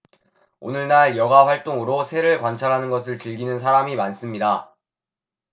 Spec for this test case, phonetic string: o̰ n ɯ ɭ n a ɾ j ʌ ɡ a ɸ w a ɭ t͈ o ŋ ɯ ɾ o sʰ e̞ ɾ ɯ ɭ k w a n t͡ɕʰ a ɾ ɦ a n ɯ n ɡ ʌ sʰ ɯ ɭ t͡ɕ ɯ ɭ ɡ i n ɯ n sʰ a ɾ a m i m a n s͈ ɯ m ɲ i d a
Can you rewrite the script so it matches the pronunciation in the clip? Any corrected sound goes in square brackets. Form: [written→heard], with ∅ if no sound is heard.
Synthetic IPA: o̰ n ɯ ɭ n a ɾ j ʌ ɡ a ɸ w a ɭ t͈ o ŋ ɯ ɾ o sʰ e̞ ɾ ɯ ɭ k w a n t͡ɕʰ a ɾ ɦ a n ɯ n ɡ ʌ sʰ ɯ ɭ t͡ɕ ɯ ɭ ɡ i n ɯ n sʰ a ɾ a m i m a n s͈ ɯ m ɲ i d a